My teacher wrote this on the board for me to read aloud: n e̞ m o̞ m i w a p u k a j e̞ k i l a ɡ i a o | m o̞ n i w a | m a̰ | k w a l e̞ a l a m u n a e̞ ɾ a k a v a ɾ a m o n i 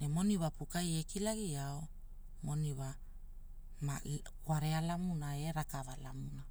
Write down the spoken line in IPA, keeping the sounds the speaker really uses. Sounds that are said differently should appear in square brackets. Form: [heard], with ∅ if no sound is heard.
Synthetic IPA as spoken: n e̞ m o̞ [n] i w a p u k a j e̞ k i l a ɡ i a o | m o̞ n i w a | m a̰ | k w a [ɾ] e̞ a l a m u n a e̞ ɾ a k a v a [l] a m [u] n [a]